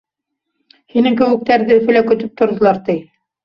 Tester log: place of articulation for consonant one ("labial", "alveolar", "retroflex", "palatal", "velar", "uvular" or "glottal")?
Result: glottal